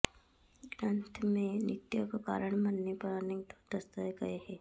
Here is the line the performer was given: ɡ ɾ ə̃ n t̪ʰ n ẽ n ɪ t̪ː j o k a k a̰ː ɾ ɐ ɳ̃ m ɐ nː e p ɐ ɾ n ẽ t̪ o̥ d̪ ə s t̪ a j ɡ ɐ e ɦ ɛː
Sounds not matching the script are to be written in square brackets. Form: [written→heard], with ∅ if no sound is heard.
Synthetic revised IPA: ɡ ɾ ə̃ n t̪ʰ [n→m] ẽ n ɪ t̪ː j o k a k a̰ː ɾ [ɐ→ə] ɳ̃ m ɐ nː e p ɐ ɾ n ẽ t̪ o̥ d̪ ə s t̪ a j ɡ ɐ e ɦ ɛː